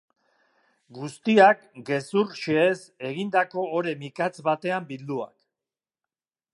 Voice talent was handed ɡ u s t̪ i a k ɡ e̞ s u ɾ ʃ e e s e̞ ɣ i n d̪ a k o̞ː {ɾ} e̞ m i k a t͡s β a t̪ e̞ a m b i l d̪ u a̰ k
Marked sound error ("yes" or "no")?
no